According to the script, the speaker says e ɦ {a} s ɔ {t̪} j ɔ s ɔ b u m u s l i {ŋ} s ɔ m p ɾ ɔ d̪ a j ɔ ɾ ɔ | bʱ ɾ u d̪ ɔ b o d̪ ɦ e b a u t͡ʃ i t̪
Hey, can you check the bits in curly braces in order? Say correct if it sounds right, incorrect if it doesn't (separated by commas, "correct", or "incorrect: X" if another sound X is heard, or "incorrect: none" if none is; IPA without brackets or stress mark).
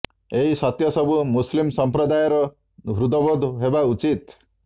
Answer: incorrect: i, correct, incorrect: m